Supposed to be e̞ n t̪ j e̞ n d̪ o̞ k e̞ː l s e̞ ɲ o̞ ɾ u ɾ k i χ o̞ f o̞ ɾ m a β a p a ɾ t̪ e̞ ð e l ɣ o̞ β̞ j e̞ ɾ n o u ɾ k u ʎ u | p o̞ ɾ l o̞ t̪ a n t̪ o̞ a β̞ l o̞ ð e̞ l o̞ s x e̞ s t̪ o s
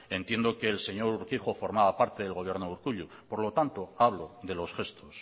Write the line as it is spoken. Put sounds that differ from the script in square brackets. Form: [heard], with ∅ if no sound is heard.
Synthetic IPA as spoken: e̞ n t̪ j e̞ n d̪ o̞ k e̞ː l s e̞ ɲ o̞ ɾ u ɾ k i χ o̞ f o̞ ɾ m a β a p a ɾ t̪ e̞ ð e l ɣ o̞ β̞ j e̞ ɾ n o u ɾ k u ʎ u | p o̞ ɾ l o̞ t̪ a n t̪ o̞ a β̞ l o̞ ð e̞ l o̞ s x e̞ s t̪ o s